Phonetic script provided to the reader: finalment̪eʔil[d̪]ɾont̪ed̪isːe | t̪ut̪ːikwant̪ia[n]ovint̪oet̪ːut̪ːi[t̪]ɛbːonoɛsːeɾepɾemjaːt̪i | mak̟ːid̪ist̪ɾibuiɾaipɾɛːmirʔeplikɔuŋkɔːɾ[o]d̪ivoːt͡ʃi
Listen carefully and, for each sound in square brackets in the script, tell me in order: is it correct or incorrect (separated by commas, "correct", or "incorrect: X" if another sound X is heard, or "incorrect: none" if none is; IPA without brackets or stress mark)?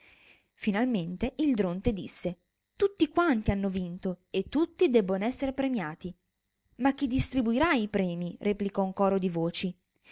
correct, incorrect: nː, incorrect: d̪, correct